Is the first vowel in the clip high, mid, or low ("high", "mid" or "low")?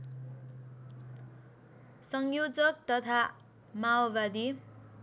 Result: mid